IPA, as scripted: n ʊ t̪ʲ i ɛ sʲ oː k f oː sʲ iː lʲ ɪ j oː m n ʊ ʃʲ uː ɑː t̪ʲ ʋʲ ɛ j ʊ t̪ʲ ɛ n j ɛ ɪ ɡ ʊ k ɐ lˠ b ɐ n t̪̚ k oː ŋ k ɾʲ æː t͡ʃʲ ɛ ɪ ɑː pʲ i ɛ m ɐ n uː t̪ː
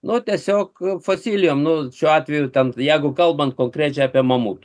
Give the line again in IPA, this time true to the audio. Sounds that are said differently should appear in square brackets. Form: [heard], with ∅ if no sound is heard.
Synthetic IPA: n ʊ t̪ʲ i ɛ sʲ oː k f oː sʲ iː lʲ ɪ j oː m n ʊ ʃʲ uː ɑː t̪ʲ ʋʲ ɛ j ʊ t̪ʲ ɛ n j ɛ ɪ ɡ ʊ k ɐ lˠ b ɐ n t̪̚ k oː ŋ k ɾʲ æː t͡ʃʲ ɛ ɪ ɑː pʲ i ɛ m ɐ [m] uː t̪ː